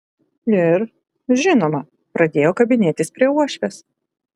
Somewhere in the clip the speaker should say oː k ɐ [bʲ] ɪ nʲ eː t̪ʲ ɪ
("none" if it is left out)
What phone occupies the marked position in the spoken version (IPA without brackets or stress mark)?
bʲ